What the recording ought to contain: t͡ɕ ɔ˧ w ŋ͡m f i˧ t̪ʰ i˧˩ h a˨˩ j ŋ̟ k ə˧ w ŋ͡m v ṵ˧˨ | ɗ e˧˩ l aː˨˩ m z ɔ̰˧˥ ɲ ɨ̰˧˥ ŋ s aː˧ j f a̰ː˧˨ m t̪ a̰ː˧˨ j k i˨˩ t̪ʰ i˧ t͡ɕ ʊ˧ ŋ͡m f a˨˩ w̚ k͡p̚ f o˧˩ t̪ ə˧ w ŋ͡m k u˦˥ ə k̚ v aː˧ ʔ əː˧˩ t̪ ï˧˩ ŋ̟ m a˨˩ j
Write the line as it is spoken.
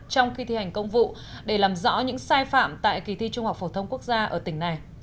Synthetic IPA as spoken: t͡ɕ ɔ˧ w ŋ͡m x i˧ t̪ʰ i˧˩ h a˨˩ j ŋ̟ k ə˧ w ŋ͡m v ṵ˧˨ | ɗ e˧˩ l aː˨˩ m z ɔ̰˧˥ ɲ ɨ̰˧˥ ŋ s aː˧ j f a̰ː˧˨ m t̪ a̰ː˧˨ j k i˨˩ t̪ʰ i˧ t͡ɕ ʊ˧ ŋ͡m h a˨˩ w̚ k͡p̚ f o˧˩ t̪ʰ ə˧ w ŋ͡m k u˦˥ ə k̚ z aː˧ ʔ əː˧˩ t̪ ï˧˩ ŋ̟ n a˨˩ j